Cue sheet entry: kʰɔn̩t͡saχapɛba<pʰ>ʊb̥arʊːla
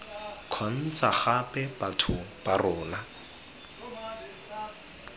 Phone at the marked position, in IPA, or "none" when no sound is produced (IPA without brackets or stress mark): tʰ